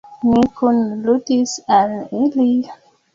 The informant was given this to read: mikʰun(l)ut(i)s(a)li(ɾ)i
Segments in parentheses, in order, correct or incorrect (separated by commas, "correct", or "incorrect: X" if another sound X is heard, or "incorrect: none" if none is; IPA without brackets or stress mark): correct, correct, correct, incorrect: l